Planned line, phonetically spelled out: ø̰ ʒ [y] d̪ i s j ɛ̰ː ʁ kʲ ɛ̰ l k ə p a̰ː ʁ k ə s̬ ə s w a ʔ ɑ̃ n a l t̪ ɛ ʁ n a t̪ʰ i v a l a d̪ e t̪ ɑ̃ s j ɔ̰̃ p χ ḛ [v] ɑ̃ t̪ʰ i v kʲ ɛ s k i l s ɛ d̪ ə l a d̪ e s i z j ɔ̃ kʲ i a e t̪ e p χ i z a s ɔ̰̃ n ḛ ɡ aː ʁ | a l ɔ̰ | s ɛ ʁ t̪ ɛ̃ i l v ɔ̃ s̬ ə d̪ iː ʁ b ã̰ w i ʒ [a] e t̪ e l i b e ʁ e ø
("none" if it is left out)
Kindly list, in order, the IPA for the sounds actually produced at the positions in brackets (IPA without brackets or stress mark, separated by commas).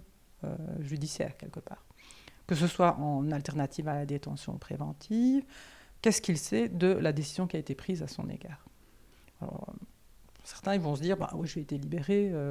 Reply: y, v, e